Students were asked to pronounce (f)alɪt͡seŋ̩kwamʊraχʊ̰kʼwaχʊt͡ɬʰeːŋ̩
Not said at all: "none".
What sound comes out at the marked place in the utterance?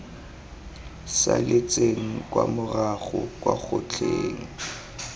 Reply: s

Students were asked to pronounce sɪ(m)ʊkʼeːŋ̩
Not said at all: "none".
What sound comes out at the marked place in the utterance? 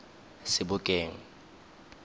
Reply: b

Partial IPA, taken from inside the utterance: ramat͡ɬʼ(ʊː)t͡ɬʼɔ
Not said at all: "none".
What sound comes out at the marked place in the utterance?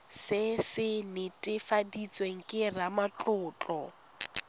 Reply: ʊː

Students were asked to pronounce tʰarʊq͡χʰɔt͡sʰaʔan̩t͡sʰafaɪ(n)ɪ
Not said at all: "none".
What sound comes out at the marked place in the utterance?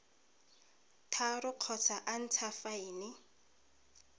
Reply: n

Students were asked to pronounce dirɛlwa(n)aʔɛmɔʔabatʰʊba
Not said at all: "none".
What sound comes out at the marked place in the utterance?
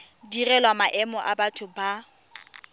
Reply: m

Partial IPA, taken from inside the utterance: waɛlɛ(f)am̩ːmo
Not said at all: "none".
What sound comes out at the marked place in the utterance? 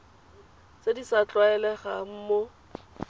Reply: χ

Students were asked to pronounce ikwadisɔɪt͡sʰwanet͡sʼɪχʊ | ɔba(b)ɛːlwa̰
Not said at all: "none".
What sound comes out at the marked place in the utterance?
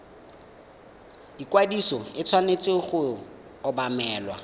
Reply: m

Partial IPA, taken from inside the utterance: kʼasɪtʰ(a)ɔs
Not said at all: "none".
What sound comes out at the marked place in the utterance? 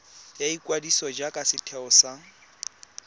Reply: ɛ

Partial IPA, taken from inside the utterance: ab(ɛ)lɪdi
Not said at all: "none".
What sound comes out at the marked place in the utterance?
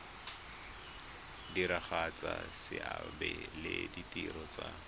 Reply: ɛ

